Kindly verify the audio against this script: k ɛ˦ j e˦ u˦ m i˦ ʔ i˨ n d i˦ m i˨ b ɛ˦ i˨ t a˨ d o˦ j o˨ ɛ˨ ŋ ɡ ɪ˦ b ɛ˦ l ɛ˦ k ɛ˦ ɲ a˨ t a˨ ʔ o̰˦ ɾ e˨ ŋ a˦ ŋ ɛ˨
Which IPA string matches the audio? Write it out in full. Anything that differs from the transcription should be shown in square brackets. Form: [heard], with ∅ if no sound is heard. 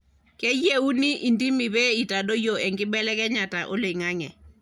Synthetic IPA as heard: k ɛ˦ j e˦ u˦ [n] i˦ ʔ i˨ n d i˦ m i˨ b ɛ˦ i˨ t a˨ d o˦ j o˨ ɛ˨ ŋ ɡ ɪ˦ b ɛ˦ l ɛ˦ k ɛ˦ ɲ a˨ t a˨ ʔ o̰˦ [l] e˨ ŋ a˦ ŋ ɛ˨